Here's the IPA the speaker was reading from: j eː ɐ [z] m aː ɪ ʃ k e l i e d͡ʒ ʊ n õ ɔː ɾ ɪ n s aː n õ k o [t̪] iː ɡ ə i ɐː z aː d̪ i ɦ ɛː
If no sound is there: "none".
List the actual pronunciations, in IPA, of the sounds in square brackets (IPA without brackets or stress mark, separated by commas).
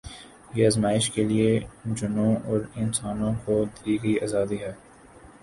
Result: z, d̪